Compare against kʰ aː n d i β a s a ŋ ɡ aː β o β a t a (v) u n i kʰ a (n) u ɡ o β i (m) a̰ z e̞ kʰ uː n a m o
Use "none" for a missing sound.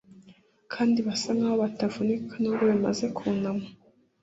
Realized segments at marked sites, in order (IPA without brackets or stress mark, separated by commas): v, n, m